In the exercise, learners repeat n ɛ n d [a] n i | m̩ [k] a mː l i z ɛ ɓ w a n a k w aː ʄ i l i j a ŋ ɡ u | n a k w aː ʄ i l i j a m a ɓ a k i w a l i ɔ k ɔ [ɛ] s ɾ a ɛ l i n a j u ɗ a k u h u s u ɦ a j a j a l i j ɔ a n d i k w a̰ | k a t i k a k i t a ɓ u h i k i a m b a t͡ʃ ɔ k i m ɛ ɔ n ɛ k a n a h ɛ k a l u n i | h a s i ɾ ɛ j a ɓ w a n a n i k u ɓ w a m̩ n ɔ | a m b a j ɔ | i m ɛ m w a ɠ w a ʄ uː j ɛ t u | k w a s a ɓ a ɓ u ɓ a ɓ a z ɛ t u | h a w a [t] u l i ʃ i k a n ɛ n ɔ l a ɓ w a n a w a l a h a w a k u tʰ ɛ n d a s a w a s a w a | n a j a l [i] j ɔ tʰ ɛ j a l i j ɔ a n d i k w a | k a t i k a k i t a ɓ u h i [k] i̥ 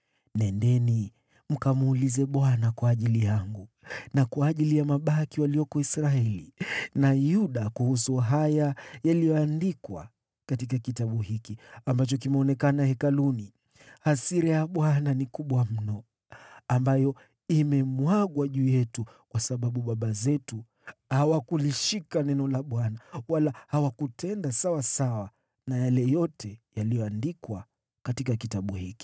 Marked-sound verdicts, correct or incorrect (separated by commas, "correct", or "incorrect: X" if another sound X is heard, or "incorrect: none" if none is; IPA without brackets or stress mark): incorrect: ɛ, correct, incorrect: i, incorrect: k, incorrect: ɛ, correct